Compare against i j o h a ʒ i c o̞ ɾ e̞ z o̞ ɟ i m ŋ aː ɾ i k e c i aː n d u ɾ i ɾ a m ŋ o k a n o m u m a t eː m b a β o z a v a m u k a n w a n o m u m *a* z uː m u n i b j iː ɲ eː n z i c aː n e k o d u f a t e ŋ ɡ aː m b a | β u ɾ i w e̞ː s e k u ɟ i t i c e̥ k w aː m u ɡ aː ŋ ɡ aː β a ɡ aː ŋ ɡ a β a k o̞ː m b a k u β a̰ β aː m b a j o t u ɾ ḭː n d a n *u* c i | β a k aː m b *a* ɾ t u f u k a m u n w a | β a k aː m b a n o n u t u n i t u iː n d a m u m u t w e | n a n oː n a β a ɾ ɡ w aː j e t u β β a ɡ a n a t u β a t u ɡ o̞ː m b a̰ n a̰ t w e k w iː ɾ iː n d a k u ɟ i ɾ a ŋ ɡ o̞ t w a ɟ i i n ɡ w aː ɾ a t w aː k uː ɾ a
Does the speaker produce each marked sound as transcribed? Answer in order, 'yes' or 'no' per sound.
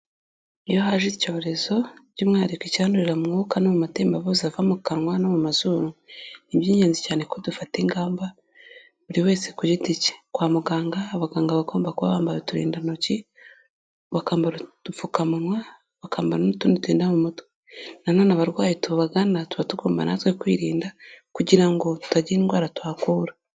yes, no, yes

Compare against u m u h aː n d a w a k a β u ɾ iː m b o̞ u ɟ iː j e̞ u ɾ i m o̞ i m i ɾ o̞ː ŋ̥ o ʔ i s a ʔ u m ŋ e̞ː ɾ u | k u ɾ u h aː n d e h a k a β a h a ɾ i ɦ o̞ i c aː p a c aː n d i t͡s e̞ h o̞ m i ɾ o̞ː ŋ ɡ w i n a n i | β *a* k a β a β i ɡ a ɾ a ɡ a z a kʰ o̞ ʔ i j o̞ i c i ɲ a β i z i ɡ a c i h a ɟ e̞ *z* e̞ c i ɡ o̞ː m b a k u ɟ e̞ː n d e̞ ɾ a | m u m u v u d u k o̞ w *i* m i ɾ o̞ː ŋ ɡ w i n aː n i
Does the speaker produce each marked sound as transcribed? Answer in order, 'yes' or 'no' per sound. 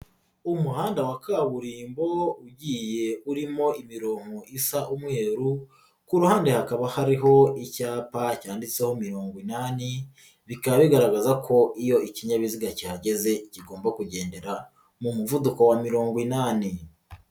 no, yes, no

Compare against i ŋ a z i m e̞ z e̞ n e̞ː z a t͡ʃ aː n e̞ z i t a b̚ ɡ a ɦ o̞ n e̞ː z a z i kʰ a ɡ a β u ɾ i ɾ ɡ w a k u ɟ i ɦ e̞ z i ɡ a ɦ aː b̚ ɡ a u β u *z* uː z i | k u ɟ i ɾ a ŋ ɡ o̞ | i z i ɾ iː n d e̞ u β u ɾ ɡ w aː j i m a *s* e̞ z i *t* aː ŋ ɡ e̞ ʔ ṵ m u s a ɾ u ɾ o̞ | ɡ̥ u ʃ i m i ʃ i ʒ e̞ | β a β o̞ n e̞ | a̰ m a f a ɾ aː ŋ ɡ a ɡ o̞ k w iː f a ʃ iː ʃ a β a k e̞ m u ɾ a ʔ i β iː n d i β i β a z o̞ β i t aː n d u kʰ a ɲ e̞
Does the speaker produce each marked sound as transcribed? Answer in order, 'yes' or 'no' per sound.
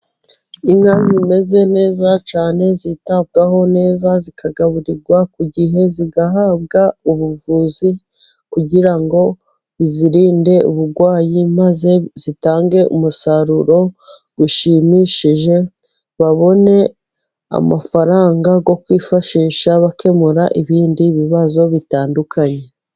no, no, yes

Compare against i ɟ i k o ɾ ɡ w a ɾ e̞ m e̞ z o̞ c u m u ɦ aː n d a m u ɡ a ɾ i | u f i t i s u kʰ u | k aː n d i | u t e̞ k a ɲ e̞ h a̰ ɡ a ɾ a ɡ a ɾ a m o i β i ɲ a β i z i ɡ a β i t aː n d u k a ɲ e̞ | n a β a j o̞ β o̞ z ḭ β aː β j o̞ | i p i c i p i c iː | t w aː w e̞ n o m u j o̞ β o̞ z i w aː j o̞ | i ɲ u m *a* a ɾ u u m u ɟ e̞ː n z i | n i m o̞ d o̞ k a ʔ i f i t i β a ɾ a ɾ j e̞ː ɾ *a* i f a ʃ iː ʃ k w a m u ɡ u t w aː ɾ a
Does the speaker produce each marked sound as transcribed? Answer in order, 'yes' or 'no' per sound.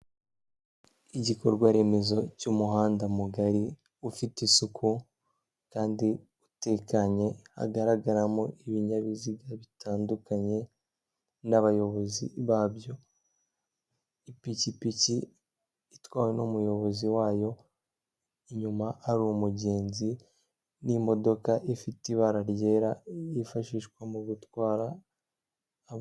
yes, yes

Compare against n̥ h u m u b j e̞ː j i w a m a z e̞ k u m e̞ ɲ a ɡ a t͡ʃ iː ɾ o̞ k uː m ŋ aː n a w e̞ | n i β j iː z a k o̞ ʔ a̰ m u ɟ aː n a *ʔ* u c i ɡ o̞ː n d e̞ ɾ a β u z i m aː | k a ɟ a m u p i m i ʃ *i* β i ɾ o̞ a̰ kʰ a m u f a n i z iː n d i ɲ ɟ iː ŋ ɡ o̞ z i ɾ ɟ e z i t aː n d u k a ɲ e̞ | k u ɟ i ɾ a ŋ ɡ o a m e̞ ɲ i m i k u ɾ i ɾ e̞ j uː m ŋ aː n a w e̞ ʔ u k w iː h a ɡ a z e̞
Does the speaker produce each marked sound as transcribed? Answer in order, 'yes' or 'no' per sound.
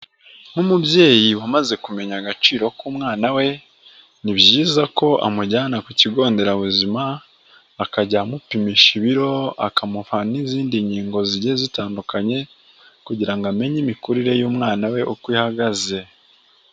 no, yes

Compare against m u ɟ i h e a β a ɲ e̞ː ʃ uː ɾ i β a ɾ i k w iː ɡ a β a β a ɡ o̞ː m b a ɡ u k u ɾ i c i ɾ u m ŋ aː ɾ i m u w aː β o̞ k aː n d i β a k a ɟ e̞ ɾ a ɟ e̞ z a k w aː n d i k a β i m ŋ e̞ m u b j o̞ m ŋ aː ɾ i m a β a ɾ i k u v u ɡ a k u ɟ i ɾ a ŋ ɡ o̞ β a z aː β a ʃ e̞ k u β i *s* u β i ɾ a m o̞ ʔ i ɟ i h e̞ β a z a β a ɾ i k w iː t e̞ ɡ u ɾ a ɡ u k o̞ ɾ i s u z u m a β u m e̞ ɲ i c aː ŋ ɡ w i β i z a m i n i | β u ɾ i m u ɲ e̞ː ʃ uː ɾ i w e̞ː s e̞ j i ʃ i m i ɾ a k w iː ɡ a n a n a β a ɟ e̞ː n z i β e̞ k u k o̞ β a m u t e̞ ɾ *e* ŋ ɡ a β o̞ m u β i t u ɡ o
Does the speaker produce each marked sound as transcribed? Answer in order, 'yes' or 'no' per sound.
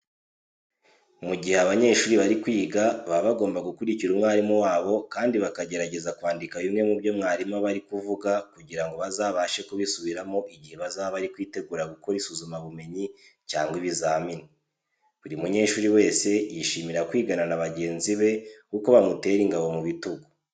yes, no

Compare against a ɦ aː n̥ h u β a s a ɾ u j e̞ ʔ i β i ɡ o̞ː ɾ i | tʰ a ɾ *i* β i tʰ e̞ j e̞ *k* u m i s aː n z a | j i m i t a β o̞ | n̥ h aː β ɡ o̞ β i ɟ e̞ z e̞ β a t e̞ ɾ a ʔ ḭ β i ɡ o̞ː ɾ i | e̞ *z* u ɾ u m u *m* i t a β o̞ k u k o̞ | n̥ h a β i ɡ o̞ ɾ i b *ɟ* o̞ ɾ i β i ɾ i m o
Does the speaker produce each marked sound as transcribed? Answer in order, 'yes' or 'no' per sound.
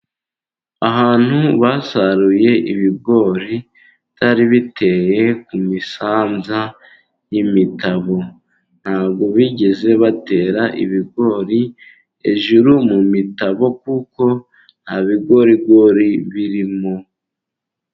yes, yes, no, yes, no

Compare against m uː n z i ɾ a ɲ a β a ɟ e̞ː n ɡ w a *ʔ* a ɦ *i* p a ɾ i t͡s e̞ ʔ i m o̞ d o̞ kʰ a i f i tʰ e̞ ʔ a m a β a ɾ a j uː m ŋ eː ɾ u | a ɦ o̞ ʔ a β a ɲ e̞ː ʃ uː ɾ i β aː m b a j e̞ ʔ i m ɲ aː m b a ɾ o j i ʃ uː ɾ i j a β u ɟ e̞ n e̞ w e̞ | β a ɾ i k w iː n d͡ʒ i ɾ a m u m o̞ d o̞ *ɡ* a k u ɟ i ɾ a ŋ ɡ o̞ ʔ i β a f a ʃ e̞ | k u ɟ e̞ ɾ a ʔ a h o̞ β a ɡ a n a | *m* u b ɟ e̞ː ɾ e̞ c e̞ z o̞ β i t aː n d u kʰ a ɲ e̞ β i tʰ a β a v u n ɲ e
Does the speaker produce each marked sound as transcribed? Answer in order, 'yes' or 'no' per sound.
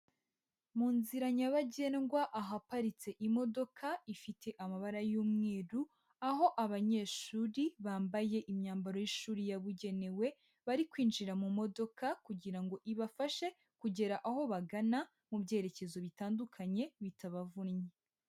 yes, no, no, yes

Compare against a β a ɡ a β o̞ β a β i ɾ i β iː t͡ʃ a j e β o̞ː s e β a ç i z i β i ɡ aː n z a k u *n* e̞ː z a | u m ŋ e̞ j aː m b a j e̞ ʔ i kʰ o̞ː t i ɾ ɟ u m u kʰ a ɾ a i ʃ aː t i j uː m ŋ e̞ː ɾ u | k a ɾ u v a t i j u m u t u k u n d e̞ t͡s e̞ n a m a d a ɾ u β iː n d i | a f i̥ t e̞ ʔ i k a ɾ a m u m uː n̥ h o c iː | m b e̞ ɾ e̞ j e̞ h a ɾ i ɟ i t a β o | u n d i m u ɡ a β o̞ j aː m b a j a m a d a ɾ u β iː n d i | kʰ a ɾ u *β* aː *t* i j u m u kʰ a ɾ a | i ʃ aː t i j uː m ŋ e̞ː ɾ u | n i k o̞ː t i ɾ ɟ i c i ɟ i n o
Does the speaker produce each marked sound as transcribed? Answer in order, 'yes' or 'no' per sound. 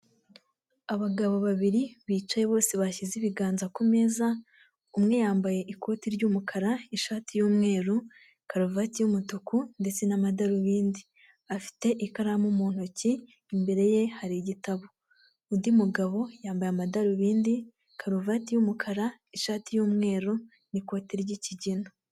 no, no, yes

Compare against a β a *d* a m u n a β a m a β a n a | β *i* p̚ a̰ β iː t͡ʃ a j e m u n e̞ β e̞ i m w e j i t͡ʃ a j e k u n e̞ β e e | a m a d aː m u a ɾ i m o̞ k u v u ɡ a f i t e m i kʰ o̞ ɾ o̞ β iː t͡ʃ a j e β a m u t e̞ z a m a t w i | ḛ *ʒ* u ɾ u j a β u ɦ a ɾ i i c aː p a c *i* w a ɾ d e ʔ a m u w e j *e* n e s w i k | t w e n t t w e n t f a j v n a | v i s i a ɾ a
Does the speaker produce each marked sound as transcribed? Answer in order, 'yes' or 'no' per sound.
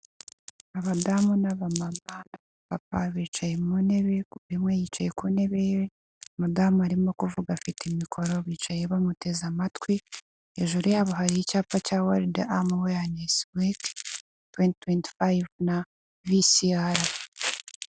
yes, no, yes, no, no

